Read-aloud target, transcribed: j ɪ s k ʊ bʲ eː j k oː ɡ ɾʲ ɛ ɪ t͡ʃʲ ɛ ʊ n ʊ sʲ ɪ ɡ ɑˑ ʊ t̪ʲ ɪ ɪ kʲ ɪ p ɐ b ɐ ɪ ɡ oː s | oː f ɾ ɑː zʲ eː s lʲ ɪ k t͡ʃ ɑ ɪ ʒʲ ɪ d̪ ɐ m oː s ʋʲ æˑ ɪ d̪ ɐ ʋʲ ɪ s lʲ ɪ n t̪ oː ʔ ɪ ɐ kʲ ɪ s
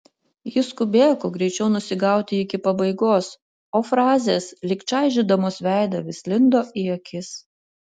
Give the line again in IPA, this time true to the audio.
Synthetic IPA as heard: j ɪ s k ʊ bʲ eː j k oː ɡ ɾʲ ɛ ɪ t͡ʃʲ ɛ ʊ n ʊ sʲ ɪ ɡ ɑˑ ʊ t̪ʲ ɪ ɪ kʲ ɪ p ɐ b ɐ ɪ ɡ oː s | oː f ɾ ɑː zʲ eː s lʲ ɪ k t͡ʃ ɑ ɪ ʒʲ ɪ d̪ ɐ m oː s ʋʲ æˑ ɪ d̪ ɐ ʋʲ ɪ s lʲ ɪ n d̪ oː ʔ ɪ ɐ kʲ ɪ s

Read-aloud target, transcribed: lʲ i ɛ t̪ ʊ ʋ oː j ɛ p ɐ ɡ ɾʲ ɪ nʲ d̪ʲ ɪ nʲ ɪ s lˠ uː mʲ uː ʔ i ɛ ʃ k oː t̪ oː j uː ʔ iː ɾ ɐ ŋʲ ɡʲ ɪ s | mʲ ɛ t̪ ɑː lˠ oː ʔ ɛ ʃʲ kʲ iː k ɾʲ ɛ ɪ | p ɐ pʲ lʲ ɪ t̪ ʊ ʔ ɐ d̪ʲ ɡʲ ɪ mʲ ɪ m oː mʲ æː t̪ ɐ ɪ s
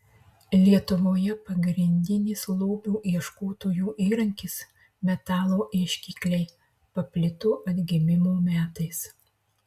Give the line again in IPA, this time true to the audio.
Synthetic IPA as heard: lʲ i ɛ t̪ ʊ ʋ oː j ɛ p ɐ ɡ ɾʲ ɪ nʲ d̪ʲ ɪ nʲ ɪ s lˠ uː bʲ uː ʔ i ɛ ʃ k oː t̪ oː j uː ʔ iː ɾ ɐ ŋʲ kʲ ɪ s | mʲ ɛ t̪ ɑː lˠ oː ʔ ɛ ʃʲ kʲ iː k lʲ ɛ ɪ | p ɐ pʲ lʲ ɪ t̪ ʊ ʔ ɐ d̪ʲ ɡʲ ɪ mʲ ɪ m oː mʲ æː t̪ ɐ ɪ s

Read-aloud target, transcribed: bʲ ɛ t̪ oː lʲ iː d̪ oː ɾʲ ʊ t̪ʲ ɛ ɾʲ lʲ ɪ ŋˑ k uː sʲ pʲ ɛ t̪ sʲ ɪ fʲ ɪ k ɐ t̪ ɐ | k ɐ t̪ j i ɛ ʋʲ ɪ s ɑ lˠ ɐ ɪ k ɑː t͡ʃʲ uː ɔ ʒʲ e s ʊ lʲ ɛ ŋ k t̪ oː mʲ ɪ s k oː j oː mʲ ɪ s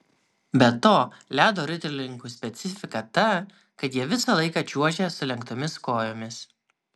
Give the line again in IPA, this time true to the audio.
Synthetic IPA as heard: bʲ ɛ t̪ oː lʲ æː d̪ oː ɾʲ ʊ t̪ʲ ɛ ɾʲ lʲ ɪ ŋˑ k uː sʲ pʲ ɛ t̪ sʲ ɪ fʲ ɪ k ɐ t̪ ɐ | k ɐ t̪ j i ɛ ʋʲ ɪ s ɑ lˠ ɐ ɪ k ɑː t͡ʃʲ u ɔ ʒʲ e s ʊ lʲ ɛ ŋ k t̪ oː mʲ ɪ s k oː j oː mʲ ɪ s

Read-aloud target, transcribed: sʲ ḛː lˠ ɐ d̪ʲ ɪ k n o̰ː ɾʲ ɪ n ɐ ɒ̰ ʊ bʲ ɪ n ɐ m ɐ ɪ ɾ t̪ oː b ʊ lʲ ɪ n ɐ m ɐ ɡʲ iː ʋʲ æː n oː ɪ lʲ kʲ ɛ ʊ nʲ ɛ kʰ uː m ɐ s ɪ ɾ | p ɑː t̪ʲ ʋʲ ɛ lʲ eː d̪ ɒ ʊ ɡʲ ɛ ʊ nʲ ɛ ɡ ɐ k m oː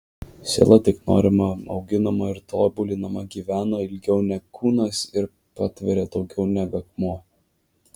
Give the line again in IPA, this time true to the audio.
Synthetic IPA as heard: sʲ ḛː lˠ ɐ t̪ʲ ɪ k n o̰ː ɾʲ ɪ m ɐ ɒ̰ ʊ ɡʲ ɪ n ɐ m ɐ ɪ ɾ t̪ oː b ʊ lʲ ɪ n ɐ m ɐ ɡʲ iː ʋʲ æː n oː ɪ lʲ ɡʲ ɛ ʊ nʲ ɛ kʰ uː n ɐ s ɪ ɾ | p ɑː t̪ʲ ʋʲ ɛ ɾʲ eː d̪ ɒ ʊ ɡʲ ɛ ʊ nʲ ɛ ɡ ɐ k m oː

